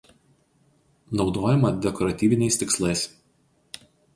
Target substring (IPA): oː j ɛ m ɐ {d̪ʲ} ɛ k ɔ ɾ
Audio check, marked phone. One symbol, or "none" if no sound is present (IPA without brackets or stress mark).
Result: d̪ʲ